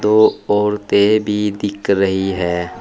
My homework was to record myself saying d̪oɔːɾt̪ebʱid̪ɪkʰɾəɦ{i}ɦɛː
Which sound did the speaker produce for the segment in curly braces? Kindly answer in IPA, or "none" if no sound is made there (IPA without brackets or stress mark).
i